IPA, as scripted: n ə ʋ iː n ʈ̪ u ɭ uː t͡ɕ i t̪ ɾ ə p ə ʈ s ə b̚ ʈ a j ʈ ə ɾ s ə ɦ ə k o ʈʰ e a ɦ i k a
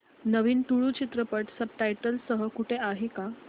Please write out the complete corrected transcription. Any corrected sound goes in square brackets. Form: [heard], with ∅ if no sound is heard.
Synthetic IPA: n ə ʋ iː n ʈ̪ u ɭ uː t͡ɕ i t̪ ɾ ə p ə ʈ s ə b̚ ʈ a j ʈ ə [l] s ə ɦ ə k [u] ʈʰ e a ɦ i k a